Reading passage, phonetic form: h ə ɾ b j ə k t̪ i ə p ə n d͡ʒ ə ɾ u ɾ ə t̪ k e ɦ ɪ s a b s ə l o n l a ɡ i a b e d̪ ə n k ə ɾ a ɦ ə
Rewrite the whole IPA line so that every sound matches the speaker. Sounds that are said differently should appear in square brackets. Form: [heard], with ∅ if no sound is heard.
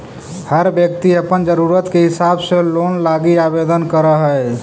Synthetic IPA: h ə ɾ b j ə k t̪ i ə p ə n d͡ʒ ə ɾ u ɾ ə t̪ k e ɦ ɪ s a b s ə l o n l a ɡ i a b e d̪ ə n k ə ɾ [ə] ɦ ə